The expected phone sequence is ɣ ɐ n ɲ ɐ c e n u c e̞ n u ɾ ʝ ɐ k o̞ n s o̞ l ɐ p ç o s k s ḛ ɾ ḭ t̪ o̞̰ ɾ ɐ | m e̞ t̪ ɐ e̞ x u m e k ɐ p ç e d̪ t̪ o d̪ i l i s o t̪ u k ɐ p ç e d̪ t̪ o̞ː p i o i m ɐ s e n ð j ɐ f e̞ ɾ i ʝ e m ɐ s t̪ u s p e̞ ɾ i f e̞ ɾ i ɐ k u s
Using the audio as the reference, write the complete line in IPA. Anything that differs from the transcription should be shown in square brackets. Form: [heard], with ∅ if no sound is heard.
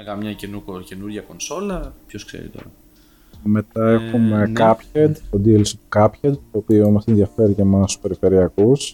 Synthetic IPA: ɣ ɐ [m] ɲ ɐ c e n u c e̞ n u ɾ ʝ ɐ k o̞ n s o̞ l ɐ p ç o s k s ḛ ɾ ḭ t̪ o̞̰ ɾ ɐ | m e̞ t̪ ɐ e̞ x u m e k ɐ p ç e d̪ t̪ o d̪ i l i s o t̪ u k ɐ p ç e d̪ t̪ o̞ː p i o i m ɐ s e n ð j ɐ f e̞ ɾ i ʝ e m ɐ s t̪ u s p e̞ ɾ i f e̞ ɾ i ɐ k u s